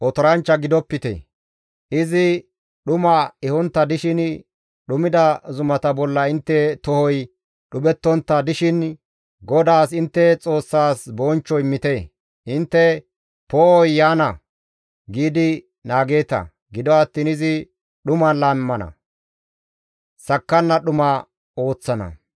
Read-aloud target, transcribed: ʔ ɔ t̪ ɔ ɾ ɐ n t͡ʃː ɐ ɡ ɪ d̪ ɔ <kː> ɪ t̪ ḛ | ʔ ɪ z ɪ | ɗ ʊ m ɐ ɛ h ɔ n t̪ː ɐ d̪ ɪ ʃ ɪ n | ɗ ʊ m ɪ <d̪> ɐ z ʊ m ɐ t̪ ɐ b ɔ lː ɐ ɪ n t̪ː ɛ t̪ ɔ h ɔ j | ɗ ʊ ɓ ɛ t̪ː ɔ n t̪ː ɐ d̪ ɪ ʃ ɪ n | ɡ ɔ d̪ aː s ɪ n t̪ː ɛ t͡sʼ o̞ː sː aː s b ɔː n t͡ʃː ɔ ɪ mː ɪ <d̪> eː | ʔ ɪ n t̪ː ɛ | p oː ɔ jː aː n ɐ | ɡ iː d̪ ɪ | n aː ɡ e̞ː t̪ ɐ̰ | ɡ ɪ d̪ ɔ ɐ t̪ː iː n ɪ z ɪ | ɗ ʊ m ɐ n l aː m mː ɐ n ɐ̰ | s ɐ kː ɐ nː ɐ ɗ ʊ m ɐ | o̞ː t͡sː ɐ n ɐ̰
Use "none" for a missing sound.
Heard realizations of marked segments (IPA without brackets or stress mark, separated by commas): pː, d̪, t̪